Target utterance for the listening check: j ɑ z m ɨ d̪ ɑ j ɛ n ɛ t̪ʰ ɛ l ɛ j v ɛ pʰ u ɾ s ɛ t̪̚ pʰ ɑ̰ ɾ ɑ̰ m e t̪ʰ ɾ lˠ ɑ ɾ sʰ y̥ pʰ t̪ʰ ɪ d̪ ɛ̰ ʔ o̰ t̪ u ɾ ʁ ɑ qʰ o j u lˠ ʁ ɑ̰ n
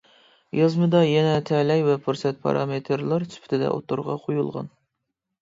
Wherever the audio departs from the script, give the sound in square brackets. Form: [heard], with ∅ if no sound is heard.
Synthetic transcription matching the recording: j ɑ z m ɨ d̪ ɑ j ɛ n ɛ t̪ʰ ɛ l ɛ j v ɛ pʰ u ɾ s ɛ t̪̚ pʰ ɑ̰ ɾ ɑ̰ m e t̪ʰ ɾ lˠ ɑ ɾ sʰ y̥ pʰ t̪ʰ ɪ d̪ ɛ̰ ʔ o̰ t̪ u ɾ ʁ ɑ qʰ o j u lˠ ʁ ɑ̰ n